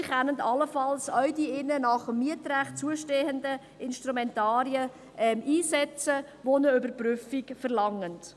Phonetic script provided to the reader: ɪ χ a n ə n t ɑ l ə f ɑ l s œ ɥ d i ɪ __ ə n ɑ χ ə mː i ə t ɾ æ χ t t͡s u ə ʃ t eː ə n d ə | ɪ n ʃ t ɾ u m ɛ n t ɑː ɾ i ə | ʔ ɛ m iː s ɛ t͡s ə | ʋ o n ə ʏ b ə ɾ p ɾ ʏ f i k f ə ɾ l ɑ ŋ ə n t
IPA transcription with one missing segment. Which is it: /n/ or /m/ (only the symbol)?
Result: n